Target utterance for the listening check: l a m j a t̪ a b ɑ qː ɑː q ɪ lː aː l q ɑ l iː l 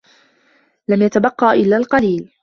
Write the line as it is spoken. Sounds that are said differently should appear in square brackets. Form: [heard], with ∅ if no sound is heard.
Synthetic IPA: l a m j a t̪ a b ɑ qː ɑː [ʔ] ɪ lː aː l q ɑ l iː l